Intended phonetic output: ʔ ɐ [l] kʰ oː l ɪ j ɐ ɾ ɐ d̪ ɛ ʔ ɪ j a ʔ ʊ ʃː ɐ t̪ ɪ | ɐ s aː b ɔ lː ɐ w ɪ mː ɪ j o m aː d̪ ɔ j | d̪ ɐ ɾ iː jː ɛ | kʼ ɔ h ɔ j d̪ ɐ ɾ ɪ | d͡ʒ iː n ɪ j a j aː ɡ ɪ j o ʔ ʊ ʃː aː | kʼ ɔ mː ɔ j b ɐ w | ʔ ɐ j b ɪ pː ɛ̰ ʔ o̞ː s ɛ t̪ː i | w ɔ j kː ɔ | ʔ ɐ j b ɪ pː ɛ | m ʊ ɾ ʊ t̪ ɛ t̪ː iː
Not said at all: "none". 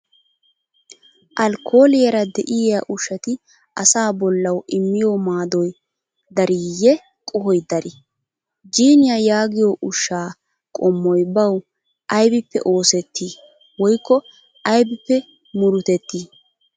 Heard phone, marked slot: l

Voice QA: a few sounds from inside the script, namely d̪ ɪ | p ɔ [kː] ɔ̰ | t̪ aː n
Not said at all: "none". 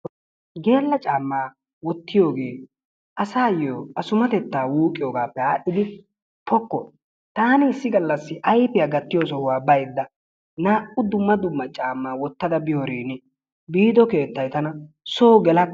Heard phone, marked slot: kː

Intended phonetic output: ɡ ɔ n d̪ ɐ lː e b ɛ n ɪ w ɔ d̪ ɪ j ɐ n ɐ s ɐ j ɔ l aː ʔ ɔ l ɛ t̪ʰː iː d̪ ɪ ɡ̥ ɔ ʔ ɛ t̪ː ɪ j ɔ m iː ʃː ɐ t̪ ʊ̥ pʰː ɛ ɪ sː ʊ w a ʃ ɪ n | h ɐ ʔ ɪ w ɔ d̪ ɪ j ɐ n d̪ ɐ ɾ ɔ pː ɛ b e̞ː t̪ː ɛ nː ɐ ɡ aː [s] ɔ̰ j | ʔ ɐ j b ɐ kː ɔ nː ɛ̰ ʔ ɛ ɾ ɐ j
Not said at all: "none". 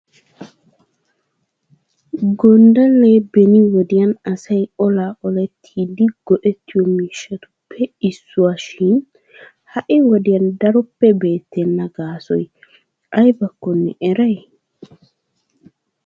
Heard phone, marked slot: s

